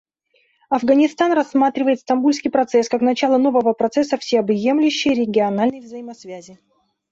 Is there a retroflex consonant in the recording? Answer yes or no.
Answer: no